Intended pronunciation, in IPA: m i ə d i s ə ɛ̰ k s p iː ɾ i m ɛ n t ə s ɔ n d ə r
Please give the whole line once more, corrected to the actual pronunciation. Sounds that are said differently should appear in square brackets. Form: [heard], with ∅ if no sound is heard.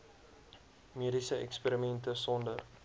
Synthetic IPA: m i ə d i s ə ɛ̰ k s p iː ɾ i m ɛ n t ə s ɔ n d ə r